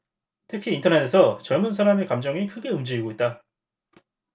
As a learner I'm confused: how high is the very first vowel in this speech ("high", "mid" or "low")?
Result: high